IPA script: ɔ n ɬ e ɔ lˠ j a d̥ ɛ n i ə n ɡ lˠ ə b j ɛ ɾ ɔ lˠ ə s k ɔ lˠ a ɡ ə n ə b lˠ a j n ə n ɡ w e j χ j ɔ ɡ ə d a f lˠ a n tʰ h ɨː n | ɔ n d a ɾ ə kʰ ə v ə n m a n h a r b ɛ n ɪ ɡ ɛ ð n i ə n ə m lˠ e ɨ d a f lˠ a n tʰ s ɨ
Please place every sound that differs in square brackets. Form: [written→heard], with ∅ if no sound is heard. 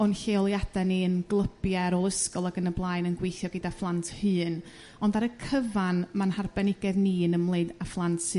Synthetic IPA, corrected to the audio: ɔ n ɬ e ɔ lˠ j a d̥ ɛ n i ə n ɡ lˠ ə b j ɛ ɾ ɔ lˠ ə s k ɔ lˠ a ɡ ə n ə b lˠ a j n ə n ɡ w e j [χ→θ] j ɔ ɡ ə d a f lˠ a n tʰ h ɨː n | ɔ n d a ɾ ə kʰ ə v [ə→a] n m a n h a r b ɛ n ɪ ɡ ɛ ð n i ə n ə m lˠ e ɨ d a f lˠ a n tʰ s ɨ